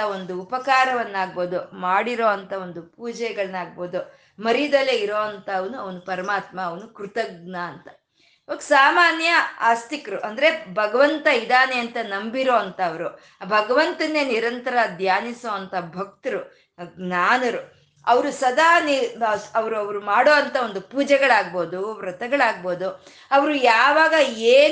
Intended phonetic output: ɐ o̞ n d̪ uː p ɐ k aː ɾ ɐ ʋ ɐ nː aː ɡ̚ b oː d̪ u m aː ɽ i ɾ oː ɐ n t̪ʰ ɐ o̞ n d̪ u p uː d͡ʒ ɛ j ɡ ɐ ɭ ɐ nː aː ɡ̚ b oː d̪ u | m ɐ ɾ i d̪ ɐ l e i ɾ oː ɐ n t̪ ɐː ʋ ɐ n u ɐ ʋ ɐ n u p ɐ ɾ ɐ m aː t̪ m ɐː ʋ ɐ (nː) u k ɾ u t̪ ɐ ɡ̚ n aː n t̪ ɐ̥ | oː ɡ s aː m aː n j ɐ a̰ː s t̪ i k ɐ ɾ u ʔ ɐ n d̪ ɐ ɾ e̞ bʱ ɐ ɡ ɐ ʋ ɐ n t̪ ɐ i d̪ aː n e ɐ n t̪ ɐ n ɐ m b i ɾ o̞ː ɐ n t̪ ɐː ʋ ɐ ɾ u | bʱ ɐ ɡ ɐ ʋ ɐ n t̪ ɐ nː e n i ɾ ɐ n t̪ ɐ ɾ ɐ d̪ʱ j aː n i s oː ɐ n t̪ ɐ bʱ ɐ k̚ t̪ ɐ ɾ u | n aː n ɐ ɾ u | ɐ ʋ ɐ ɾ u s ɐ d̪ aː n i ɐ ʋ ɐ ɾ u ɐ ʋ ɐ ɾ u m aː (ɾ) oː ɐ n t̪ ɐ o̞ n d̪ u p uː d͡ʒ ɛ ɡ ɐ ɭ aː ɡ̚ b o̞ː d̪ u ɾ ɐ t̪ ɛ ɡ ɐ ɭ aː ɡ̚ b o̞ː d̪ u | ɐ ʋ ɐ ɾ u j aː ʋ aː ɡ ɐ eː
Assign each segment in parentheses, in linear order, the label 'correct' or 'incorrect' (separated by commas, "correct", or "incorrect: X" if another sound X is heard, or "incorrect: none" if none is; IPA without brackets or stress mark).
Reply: incorrect: n, incorrect: ɽ